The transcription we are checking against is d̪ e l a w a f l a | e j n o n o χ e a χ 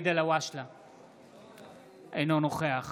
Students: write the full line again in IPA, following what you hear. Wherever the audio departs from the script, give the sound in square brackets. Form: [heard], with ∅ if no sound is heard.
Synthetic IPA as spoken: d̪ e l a w a [ʃ] l a | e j n o n o χ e a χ